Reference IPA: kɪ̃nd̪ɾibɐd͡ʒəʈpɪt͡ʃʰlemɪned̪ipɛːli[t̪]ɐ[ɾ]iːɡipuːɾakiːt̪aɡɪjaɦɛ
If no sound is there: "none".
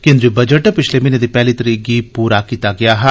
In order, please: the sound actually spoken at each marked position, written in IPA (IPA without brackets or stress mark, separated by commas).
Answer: t̪, ɾ